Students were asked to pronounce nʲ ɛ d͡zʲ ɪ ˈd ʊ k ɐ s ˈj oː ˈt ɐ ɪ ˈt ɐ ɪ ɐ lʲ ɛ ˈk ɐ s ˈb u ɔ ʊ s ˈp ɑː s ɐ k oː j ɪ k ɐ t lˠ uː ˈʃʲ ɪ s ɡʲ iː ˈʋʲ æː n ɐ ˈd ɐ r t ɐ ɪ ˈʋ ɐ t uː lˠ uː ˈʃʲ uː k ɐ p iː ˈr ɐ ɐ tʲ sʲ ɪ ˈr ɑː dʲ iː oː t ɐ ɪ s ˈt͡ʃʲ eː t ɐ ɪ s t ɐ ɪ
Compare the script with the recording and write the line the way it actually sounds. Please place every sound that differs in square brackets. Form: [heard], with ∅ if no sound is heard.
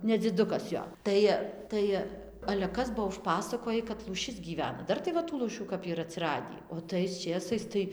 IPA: nʲ ɛ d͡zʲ ɪ ˈd ʊ k ɐ s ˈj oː ˈt ɐ ɪ ˈt ɐ ɪ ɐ lʲ ɛ ˈk ɐ s ˈb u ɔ ʊ [ʃ] ˈp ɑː s ɐ k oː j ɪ k ɐ t lˠ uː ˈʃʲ ɪ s ɡʲ iː ˈʋʲ æː n ɐ ˈd ɐ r t ɐ ɪ ˈʋ ɐ t uː lˠ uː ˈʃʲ uː k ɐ p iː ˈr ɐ ɐ tʲ sʲ ɪ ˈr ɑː dʲ iː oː t ɐ ɪ s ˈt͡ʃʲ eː [s] ɐ ɪ s t ɐ ɪ

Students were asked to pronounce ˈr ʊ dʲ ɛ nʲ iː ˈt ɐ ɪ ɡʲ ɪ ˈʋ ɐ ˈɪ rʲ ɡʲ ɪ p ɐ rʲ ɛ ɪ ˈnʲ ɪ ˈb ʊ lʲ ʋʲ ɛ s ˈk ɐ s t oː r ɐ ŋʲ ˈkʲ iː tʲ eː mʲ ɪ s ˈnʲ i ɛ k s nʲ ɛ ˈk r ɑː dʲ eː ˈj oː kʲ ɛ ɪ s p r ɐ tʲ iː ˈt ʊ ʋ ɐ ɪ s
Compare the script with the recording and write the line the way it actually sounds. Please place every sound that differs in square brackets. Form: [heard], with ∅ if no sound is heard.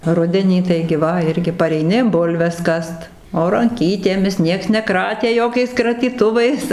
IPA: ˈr ʊ dʲ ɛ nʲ iː ˈt ɐ ɪ ɡʲ ɪ ˈʋ ɐ ˈɪ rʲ ɡʲ ɪ p ɐ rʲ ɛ ɪ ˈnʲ ɪ ˈb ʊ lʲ ʋʲ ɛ s ˈk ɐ s t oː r ɐ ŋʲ ˈkʲ iː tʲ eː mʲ ɪ s ˈnʲ i ɛ k s nʲ ɛ ˈk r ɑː [tʲ] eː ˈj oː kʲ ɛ ɪ s [k] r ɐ tʲ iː ˈt ʊ ʋ ɐ ɪ s

